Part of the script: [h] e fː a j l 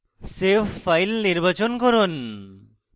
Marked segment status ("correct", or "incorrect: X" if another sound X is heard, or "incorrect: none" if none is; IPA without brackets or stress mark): incorrect: s